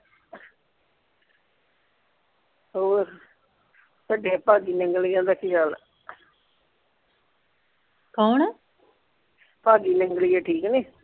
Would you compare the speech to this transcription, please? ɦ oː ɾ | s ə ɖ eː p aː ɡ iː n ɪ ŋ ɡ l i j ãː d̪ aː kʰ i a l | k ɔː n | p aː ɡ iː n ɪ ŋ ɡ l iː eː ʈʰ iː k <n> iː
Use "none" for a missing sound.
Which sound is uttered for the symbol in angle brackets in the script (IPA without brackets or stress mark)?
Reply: n